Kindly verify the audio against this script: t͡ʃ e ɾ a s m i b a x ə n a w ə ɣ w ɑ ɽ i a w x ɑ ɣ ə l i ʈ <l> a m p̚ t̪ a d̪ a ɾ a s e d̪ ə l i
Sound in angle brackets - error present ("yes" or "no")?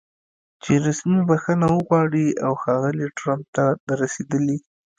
yes